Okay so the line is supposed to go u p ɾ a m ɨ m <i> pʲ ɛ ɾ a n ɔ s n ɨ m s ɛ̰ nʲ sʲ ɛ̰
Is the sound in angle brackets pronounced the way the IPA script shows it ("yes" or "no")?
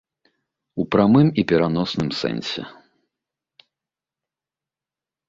yes